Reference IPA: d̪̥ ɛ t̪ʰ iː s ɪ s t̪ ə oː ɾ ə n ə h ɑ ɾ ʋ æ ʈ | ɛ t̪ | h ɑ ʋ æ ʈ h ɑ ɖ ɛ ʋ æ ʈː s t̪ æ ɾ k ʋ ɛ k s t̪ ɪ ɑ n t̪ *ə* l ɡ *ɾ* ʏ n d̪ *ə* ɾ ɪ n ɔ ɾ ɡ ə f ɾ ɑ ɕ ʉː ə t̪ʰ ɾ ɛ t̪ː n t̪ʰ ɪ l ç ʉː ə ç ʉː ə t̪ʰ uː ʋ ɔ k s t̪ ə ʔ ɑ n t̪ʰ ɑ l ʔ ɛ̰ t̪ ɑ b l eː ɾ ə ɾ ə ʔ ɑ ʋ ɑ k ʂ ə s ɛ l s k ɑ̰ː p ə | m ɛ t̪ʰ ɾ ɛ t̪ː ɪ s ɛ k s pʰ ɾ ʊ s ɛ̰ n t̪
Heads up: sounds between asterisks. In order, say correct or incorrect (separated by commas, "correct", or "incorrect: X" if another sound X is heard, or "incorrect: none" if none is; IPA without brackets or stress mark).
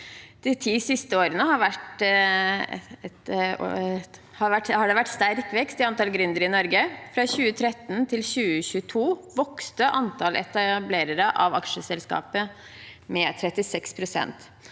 incorrect: ɑ, correct, correct